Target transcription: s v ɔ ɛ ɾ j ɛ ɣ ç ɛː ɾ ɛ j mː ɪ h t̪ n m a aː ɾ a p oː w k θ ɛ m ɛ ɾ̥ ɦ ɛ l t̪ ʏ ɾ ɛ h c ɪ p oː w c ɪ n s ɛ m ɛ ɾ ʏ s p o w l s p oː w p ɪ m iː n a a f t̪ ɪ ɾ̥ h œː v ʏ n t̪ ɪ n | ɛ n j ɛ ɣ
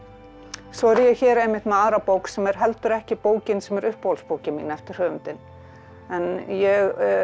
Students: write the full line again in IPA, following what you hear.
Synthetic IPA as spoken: s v ɔ ɛ ɾ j ɛ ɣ ç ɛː ɾ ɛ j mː ɪ h t̪ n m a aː ɾ a p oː w k s ɛ m ɛ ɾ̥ ɦ ɛ l t̪ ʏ ɾ ɛ h c ɪ p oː w c ɪ n s ɛ m ɛ ɾ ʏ h p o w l s p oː w c ɪ m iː n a ɛ f t̪ ɪ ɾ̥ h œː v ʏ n t̪ ɪ n | ɛ n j ɛ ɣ